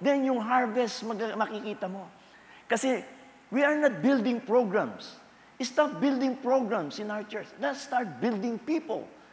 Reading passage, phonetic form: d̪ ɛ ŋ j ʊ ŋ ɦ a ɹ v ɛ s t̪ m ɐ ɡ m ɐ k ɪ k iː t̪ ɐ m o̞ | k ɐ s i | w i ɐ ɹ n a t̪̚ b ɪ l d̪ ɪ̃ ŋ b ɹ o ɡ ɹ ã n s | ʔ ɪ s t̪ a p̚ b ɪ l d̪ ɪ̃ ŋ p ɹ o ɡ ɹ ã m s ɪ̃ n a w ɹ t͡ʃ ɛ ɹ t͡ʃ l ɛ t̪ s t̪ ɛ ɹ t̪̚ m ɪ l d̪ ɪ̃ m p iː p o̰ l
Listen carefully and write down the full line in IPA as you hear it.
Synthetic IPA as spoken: d̪ ɛ n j ʊ ŋ ɦ a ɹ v ɛ s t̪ m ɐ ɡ m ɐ k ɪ k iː t̪ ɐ m o̞ | k ɐ s ɛ | w i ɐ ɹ n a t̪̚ b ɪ l d̪ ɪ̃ ŋ p ɹ o ɡ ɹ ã m s | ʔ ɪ s t̪ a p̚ b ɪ l d̪ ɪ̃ ŋ p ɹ o ɡ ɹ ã m s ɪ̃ n a w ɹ t͡ʃ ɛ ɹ t͡ʃ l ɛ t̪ s t̪ a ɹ t̪̚ b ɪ l d̪ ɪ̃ ŋ p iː p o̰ l